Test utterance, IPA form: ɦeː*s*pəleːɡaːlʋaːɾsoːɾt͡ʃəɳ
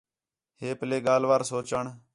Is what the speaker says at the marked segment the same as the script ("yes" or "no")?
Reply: no